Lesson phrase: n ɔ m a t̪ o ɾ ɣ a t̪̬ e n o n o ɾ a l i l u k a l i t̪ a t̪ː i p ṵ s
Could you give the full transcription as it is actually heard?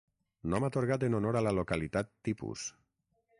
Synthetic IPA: n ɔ m a t̪ o ɾ ɣ a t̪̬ e n o n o ɾ a l a l o k a l i t̪ a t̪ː i p ṵ s

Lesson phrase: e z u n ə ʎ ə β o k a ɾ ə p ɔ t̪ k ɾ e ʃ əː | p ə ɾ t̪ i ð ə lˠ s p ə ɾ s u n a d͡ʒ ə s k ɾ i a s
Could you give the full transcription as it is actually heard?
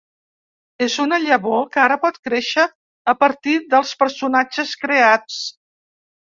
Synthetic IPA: e z u n ə ʎ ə β o k a ɾ ə p ɔ t̪ k ɾ e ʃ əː | p ə ɾ t̪ i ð ə lˠ s p ə ɾ s u n a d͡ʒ ə s k ɾ e a t͡s

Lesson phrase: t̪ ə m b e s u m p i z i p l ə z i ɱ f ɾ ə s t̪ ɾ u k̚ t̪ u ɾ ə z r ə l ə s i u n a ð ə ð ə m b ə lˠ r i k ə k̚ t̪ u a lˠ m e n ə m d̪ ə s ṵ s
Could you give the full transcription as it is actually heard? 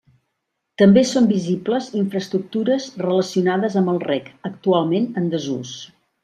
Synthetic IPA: t̪ ə m b e s o m b i z i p l ə z i ɱ f ɾ ə s t̪ ɾ u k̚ t̪ u ɾ ə z r ə l ə s i u n a ð ə z ə m b ə lˠ r ɛ k ə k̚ t̪ u a lˠ m e n ə n d̪ ə z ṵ s

